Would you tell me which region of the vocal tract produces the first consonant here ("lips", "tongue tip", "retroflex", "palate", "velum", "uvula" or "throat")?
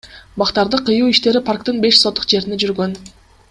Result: lips